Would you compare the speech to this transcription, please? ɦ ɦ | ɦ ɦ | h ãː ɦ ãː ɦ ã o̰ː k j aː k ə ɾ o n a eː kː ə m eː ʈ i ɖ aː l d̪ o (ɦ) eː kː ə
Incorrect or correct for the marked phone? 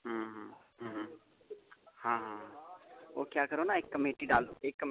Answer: incorrect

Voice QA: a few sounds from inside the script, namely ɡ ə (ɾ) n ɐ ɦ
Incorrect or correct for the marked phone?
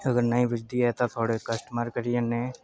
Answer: correct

